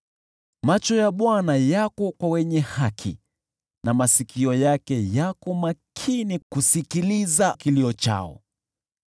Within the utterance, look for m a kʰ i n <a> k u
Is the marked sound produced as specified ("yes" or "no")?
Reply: no